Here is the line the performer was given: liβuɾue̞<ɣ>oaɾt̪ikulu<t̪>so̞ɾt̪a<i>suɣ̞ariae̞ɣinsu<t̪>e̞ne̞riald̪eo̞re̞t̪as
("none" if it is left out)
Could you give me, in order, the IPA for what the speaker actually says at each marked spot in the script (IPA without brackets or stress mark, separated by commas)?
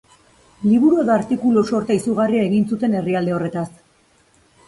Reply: ð, none, i, t̪